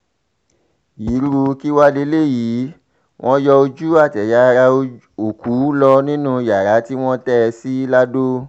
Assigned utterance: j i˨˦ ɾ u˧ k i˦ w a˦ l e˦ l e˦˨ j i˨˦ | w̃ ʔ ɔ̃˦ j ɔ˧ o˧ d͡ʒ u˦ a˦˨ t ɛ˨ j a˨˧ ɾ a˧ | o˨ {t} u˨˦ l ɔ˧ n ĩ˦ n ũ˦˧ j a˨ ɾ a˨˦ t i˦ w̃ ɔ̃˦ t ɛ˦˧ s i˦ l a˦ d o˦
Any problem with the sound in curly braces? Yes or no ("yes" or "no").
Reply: yes